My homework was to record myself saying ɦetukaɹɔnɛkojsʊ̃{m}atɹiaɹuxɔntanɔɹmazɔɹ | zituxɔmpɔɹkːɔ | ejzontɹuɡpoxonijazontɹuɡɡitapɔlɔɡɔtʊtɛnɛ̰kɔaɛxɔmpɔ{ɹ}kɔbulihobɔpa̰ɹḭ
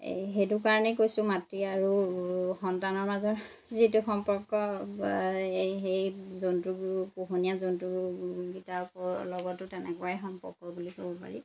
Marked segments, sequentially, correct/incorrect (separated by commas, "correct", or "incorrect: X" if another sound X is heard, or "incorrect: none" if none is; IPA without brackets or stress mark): correct, correct